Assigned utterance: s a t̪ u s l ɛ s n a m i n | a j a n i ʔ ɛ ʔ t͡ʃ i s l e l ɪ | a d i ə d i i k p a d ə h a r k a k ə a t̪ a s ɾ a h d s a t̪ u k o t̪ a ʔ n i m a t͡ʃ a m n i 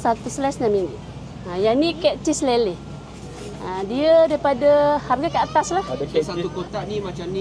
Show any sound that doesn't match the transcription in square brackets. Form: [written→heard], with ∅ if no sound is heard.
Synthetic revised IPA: s a t̪ u s l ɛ s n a m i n | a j a n i [ʔ→k] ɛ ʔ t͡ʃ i s l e l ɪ | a d i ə d [i→a] i [k→∅] p a d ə h a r [k→ɡ] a k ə a t̪ a s [ɾ→l] a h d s a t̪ u k o t̪ a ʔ n i m a t͡ʃ a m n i